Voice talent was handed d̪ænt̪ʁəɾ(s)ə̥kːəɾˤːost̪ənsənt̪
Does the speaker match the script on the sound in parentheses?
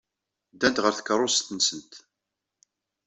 no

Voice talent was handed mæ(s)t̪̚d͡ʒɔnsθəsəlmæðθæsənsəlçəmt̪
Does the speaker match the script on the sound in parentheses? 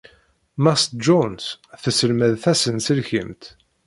yes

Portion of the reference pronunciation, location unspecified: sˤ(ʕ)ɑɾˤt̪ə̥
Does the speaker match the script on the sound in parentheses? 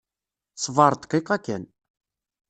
no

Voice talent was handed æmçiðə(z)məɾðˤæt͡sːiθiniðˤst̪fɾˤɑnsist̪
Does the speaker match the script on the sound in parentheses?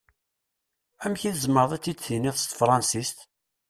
yes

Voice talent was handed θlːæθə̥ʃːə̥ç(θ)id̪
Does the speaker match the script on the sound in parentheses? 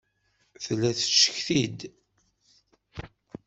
yes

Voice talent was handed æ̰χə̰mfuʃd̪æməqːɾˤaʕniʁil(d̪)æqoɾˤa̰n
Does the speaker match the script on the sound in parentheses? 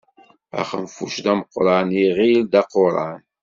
yes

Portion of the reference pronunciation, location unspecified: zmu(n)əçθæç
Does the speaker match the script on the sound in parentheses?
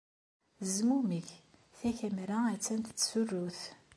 no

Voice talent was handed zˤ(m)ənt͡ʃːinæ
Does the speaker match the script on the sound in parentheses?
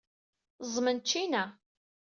yes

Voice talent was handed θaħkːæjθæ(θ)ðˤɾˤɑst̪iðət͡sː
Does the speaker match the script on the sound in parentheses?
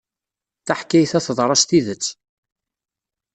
yes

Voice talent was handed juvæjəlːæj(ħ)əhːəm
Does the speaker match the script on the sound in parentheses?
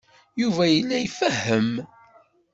no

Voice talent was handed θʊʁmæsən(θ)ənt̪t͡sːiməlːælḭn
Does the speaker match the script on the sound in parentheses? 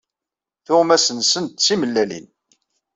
no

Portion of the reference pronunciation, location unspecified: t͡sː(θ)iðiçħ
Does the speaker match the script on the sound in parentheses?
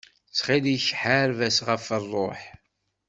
no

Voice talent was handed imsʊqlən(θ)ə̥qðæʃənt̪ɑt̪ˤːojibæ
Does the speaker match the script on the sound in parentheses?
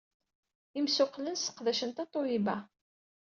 no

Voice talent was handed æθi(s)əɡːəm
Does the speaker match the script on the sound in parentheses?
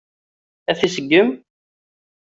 yes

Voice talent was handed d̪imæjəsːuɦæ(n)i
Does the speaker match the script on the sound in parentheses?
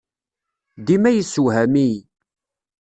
no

